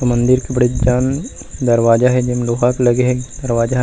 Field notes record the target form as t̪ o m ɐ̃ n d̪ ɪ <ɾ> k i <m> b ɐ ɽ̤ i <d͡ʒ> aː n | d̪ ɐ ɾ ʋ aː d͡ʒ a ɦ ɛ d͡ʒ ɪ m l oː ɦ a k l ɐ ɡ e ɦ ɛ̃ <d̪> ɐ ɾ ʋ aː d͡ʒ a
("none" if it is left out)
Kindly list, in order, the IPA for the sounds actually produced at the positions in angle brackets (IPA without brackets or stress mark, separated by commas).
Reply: ɾ, none, d͡ʒ, d̪